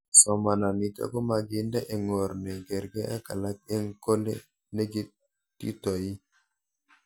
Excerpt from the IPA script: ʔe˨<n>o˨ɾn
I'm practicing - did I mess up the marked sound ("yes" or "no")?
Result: yes